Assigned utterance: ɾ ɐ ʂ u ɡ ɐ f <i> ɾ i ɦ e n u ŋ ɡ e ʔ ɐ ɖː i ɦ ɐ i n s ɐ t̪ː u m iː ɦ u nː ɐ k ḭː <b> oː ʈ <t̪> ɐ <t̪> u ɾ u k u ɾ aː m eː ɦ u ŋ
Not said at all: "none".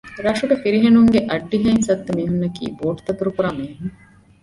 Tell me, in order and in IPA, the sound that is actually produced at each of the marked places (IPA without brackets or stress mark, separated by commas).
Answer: i, b, t̪, t̪